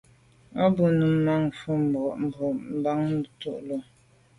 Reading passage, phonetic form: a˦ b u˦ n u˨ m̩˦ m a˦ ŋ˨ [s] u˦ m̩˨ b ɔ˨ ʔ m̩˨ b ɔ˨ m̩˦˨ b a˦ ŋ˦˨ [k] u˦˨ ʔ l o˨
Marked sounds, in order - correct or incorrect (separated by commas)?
incorrect, incorrect